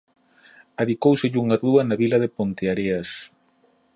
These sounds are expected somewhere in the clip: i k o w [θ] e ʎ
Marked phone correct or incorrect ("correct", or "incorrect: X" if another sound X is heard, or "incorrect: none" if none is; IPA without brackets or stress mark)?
incorrect: s